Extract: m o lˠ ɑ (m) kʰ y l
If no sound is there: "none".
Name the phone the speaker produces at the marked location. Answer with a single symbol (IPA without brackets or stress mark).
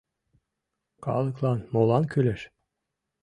n